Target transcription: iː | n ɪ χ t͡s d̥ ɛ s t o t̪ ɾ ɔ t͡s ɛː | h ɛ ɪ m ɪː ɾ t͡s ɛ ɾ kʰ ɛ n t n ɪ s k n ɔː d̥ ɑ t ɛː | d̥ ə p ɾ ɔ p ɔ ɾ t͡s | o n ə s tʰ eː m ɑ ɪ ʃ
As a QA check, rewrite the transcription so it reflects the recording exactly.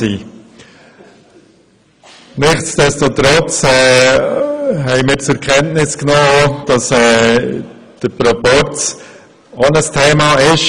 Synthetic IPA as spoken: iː | n ɪ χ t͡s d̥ ɛ s t o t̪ ɾ ɔ t͡s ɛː | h ɛ ɪ m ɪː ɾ t͡s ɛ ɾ kʰ ɛ n t n ɪ s k n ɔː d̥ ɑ s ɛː | d̥ ə p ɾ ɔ p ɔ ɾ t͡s | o n ə s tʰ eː m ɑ ɪ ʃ